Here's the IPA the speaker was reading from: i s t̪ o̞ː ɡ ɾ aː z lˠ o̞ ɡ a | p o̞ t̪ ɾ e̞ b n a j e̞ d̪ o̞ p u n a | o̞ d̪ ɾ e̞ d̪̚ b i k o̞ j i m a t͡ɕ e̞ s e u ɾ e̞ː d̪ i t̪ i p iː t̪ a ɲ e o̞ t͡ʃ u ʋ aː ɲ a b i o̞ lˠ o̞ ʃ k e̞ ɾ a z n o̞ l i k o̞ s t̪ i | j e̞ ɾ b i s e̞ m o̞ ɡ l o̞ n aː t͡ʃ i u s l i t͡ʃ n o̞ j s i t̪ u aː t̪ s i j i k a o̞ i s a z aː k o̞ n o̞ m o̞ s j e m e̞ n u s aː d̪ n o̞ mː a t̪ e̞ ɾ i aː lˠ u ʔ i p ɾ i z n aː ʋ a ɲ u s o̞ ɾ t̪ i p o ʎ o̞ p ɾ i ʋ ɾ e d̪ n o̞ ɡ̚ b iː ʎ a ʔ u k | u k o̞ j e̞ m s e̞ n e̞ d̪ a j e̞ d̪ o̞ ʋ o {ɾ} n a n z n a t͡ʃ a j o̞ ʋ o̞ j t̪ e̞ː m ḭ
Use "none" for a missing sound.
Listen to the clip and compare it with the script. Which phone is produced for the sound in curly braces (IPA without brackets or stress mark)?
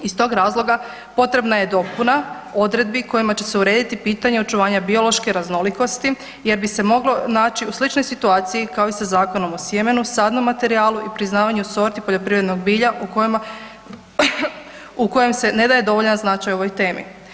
ʎ